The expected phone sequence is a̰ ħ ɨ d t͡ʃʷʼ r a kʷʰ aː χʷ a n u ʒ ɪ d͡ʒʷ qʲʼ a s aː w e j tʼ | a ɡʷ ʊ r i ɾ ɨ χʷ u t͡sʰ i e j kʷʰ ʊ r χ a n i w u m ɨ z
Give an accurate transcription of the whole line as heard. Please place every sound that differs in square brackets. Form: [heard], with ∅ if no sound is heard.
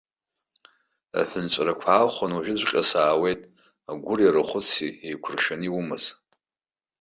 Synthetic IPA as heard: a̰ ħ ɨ [n] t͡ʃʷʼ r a kʷʰ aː χʷ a n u ʒ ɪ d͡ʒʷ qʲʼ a s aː w e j tʼ | a ɡʷ ʊ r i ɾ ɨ χʷ [ʊ] t͡sʰ i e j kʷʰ ʊ r [ʃ] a n i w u m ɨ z

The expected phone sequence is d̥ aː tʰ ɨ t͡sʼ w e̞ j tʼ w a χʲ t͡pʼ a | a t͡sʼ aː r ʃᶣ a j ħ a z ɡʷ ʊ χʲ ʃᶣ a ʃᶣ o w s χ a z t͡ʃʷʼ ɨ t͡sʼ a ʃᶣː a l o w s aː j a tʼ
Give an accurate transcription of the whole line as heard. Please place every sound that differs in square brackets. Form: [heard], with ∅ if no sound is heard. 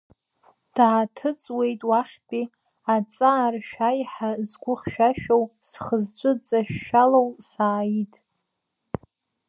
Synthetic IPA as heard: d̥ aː tʰ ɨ t͡sʼ w e̞ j tʼ w a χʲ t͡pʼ [i] | a t͡sʼ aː r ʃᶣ a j ħ a z ɡʷ ʊ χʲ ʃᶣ a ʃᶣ o w s χ [ə] z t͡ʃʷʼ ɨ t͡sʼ a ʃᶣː a l o w s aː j [i] tʼ

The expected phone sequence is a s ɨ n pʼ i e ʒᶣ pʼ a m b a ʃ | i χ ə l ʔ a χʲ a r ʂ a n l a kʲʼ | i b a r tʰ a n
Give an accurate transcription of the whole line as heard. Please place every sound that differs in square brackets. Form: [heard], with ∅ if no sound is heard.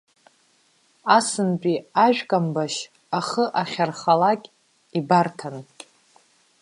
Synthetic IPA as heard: a s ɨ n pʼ i [a] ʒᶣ [kʼ] a m b a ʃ | [a] χ ə [∅] ʔ a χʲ a r [χ] a [∅] l a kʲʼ | i b a r tʰ a n

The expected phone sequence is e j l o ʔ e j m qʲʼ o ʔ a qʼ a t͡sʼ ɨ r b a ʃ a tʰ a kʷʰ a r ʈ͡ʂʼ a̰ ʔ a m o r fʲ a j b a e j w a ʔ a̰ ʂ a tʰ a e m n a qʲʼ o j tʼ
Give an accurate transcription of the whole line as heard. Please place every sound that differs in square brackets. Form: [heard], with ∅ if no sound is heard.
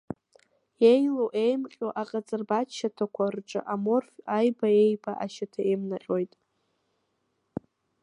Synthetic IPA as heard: e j l o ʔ e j m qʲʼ o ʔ a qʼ a t͡sʼ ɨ r b a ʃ a tʰ a kʷʰ a r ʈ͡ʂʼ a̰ ʔ a m o r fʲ a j b a e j [b] a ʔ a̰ [ʃ] a tʰ a e m n a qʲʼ o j tʼ

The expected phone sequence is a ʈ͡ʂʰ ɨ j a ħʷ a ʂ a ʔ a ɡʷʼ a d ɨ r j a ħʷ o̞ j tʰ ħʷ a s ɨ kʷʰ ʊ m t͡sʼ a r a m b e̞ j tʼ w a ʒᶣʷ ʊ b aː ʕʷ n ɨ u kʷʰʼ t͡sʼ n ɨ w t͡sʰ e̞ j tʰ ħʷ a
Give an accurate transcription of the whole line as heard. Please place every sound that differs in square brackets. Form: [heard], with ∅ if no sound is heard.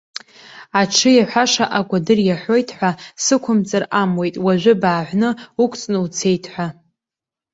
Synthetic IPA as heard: a ʈ͡ʂʰ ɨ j a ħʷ a ʂ a ʔ a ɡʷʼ a d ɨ r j a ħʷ o̞ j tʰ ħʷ a s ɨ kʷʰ ʊ m t͡sʼ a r a m [w] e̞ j tʼ w a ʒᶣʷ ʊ b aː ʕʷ n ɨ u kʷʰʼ t͡sʼ n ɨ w t͡sʰ e̞ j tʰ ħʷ a

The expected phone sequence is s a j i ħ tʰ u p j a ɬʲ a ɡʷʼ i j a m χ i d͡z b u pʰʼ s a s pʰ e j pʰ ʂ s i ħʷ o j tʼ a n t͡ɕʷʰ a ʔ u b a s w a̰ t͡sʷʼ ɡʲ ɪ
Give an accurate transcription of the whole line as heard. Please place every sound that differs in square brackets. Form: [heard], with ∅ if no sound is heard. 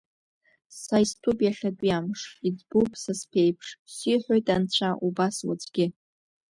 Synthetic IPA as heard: s a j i [s] tʰ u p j a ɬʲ a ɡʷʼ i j a m [ʂ] i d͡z b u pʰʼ s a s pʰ e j pʰ ʂ s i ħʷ o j tʼ a n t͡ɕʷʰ a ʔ u b a s w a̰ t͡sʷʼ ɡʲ ɪ

